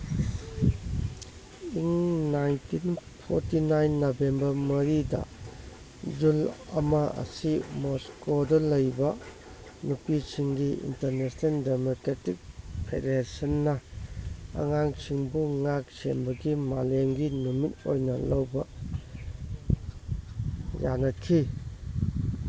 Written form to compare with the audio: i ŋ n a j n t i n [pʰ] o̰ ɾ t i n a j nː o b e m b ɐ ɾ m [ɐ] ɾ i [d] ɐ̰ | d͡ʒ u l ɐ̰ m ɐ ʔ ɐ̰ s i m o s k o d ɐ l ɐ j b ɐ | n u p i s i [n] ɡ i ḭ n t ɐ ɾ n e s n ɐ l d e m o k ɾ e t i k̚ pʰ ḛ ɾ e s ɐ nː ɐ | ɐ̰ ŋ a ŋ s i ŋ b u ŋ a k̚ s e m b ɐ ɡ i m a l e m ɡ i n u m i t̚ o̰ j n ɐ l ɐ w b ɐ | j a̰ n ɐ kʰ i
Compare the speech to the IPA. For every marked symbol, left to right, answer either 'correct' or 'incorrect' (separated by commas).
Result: correct, correct, correct, incorrect